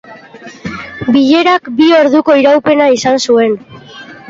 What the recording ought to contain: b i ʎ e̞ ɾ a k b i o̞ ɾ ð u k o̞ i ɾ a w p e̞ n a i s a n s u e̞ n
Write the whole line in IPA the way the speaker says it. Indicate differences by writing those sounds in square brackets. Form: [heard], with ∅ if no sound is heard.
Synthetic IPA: b i ʎ e̞ ɾ a k b i o̞ ɾ ð u k o̞ i ɾ a w p e̞ n a i s a n s u e̞ n